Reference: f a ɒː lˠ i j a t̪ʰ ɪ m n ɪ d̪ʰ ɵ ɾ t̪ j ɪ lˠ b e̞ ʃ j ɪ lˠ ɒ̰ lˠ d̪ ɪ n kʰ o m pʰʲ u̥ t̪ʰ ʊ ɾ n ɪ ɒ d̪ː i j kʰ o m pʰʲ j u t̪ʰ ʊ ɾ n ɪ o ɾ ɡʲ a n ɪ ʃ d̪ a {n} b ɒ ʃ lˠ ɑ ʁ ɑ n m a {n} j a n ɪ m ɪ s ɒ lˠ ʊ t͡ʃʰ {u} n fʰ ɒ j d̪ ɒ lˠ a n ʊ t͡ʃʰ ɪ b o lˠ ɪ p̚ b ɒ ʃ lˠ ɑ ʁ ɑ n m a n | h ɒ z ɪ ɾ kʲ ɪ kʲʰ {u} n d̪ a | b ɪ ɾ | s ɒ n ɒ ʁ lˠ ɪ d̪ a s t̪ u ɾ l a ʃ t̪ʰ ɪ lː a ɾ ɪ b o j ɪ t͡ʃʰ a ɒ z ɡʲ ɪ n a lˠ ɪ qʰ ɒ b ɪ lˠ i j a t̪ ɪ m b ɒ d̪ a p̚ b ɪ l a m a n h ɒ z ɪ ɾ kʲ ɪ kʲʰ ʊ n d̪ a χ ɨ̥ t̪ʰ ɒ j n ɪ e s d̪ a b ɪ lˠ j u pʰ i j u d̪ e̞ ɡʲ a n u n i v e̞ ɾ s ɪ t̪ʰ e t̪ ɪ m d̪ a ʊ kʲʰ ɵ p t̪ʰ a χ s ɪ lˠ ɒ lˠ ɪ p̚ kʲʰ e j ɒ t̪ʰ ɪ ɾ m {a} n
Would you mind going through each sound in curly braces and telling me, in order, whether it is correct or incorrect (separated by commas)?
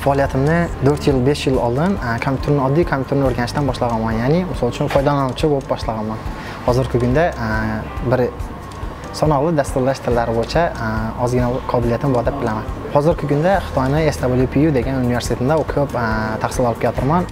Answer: correct, correct, incorrect, incorrect, correct